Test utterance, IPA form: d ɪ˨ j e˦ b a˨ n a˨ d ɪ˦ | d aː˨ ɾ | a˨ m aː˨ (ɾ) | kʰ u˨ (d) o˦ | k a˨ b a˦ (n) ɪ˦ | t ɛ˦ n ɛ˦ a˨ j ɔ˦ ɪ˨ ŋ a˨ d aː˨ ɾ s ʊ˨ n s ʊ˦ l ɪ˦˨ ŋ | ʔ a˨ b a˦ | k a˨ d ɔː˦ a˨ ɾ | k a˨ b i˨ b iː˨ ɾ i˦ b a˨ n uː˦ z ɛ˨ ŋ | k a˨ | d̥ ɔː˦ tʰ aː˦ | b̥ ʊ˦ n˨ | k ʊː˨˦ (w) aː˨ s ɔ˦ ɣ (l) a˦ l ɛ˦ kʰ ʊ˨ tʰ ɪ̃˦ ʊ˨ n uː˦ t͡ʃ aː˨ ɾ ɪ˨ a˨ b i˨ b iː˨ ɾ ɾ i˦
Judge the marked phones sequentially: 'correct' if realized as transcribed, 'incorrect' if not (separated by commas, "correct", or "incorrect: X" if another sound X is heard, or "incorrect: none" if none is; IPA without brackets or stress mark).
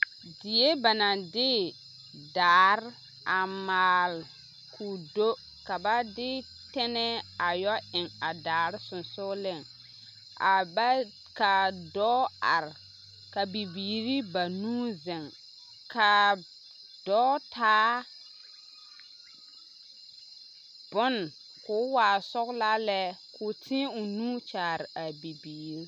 incorrect: l, correct, incorrect: d, correct, correct